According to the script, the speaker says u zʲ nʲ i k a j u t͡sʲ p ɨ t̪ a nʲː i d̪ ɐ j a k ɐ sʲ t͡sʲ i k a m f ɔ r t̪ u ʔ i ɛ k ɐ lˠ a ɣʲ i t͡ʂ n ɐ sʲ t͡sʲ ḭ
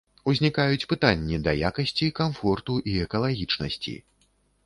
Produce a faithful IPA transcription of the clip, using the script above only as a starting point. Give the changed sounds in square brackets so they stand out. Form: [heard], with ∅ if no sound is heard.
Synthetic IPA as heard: u zʲ nʲ i k a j u t͡sʲ p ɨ t̪ a nʲː i d̪ ɐ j a k ɐ sʲ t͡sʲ i k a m f ɔ r t̪ u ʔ i ɛ k ɐ lˠ a ɣʲ i t͡ʂ n ɐ sʲ t͡sʲ ḭ